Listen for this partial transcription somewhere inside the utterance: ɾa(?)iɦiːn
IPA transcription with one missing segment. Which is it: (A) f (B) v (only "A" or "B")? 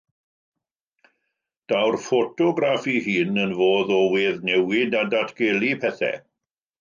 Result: A